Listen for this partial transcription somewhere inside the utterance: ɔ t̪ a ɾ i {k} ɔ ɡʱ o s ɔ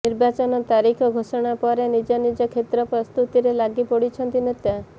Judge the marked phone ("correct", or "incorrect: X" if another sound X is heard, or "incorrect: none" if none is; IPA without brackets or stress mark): incorrect: kʰ